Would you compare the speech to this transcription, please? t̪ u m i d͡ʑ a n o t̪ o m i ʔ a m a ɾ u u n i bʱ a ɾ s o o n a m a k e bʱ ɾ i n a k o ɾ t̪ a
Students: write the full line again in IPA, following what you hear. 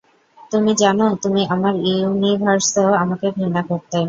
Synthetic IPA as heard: t̪ u m i d͡ʑ a n o t̪ u m i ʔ a m a ɾ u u n i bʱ a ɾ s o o a m a k e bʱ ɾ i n a k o ɾ t̪ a